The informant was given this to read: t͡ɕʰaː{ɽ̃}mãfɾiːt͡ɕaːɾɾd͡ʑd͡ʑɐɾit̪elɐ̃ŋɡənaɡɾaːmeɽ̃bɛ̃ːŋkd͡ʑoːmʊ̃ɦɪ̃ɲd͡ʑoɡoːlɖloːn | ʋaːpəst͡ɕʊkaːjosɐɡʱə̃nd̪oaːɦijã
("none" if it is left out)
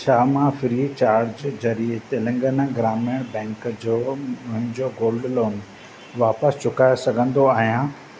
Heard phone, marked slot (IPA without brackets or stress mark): none